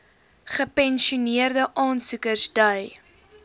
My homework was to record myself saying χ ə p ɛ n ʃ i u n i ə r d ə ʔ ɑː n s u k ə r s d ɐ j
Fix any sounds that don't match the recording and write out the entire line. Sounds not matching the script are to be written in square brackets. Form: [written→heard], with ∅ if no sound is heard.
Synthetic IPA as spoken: χ ə p ɛ n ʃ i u n i ə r d ə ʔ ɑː n s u k ə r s d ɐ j

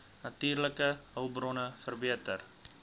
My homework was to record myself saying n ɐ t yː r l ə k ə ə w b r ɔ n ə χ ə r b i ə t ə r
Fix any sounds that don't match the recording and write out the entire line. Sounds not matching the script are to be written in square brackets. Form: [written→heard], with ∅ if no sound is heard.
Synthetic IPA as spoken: n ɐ t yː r l ə k ə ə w b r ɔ n ə [χ→f] ə r b i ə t ə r

